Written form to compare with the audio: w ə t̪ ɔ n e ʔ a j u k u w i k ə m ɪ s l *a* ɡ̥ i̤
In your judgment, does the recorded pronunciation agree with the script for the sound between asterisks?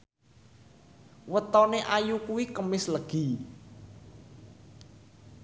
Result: no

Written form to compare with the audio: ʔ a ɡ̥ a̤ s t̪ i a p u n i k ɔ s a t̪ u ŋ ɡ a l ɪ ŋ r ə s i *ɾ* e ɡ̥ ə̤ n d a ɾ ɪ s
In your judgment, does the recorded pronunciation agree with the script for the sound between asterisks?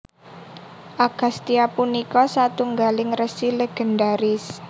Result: no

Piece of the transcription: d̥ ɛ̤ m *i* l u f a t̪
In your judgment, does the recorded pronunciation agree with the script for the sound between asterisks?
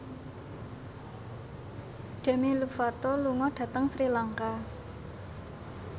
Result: yes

